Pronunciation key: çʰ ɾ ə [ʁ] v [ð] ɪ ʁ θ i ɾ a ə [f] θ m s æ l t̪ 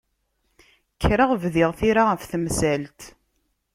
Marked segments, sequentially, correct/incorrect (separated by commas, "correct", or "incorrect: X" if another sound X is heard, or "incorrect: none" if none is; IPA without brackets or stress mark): correct, correct, correct